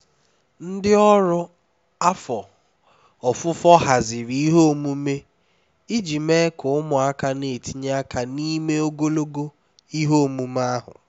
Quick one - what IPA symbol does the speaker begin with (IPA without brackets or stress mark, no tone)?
n̩